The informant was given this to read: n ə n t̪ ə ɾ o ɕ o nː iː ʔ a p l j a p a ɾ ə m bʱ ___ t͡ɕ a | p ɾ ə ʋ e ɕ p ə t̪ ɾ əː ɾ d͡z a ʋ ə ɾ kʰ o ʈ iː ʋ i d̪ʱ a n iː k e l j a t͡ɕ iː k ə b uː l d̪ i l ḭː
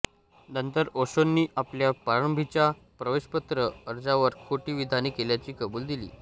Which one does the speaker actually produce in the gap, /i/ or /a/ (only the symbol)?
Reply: i